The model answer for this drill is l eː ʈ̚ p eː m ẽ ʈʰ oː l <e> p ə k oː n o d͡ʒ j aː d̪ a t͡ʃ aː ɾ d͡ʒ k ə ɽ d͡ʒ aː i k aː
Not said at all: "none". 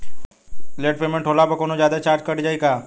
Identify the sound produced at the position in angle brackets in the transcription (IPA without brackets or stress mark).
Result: a